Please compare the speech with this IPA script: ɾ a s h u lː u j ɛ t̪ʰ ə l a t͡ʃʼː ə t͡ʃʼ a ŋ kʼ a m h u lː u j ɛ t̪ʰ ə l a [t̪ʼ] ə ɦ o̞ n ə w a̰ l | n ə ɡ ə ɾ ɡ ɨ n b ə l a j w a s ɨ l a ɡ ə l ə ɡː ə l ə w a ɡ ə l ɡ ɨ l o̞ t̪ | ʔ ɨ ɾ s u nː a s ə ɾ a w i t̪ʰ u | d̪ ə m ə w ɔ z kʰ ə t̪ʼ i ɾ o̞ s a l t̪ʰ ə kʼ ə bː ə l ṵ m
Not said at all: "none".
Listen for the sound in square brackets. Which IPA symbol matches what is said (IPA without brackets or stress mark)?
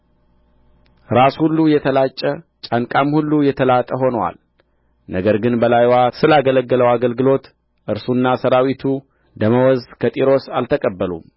t̪ʼ